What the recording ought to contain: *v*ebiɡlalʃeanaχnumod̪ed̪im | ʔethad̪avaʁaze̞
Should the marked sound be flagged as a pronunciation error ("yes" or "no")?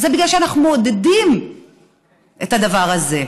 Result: yes